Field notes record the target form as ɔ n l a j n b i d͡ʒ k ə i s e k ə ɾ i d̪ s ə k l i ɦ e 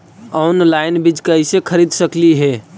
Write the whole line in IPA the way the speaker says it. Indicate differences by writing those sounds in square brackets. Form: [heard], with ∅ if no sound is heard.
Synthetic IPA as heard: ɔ n l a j n b i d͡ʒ k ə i s e [kʰ] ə ɾ i d̪ s ə k l i ɦ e